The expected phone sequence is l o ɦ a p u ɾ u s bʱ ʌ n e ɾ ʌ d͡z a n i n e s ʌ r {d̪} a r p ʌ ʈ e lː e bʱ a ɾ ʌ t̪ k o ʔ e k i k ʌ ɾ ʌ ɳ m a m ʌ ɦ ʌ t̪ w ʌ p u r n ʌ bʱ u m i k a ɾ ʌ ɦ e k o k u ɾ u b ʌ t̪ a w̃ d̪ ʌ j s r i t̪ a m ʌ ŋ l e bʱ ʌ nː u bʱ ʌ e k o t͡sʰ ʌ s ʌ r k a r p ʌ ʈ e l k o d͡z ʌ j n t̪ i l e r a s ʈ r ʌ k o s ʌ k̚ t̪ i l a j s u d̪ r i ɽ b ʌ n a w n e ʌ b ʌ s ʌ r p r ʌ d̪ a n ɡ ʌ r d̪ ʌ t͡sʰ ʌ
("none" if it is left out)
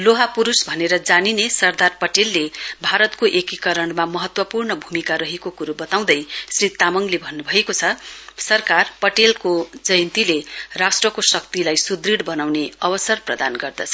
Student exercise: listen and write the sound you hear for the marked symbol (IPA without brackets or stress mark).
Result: d̪